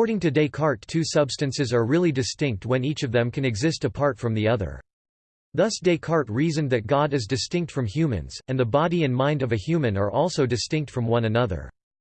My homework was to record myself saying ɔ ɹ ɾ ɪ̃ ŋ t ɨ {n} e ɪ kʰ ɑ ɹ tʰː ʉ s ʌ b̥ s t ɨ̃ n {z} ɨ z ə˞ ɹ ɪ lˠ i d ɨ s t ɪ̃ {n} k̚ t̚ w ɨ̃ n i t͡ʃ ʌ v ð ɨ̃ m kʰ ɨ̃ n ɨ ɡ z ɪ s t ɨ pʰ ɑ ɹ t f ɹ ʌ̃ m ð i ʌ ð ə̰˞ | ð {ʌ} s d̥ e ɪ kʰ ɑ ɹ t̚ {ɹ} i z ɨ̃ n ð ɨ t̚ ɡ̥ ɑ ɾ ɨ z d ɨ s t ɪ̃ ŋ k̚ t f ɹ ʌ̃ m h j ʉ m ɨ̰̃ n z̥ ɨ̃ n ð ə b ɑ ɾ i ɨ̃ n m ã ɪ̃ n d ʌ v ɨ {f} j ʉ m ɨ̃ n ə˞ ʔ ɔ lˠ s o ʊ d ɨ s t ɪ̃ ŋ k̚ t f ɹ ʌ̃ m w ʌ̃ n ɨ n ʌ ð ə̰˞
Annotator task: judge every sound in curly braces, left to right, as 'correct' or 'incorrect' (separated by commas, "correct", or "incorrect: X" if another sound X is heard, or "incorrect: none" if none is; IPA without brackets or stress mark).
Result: incorrect: d, incorrect: s, incorrect: ŋ, correct, correct, incorrect: h